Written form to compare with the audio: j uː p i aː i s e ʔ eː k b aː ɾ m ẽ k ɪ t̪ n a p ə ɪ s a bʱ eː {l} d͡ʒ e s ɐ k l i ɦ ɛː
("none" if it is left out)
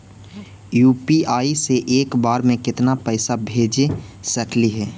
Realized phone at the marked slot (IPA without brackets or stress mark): none